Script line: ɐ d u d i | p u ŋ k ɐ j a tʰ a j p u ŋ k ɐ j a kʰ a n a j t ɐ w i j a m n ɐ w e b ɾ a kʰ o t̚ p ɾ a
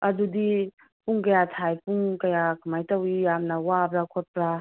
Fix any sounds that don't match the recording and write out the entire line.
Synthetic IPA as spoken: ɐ d u d i | p u ŋ k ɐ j a tʰ a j p u ŋ k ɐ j a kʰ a m a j t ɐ w i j a m n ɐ w a b ɾ a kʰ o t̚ p ɾ a